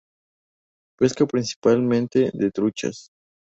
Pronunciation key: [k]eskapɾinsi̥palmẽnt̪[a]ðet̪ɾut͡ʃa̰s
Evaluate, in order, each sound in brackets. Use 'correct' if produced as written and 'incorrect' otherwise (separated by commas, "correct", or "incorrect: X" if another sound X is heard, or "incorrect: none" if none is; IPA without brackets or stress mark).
incorrect: p, incorrect: e